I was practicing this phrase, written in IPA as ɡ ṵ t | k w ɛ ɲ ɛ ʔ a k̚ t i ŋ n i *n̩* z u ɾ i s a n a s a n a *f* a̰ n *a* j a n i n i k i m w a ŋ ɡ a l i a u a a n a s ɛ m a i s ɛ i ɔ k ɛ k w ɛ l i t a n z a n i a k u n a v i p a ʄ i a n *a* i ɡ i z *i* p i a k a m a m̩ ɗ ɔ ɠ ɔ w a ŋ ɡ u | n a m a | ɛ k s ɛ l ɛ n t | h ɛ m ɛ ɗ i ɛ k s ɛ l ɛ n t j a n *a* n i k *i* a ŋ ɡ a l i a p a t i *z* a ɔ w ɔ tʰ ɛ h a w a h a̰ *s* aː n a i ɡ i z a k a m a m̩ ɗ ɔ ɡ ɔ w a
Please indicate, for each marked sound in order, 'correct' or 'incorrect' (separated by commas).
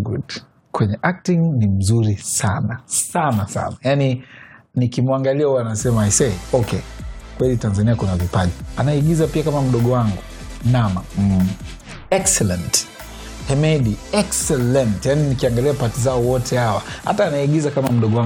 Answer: incorrect, incorrect, correct, correct, incorrect, incorrect, correct, correct, incorrect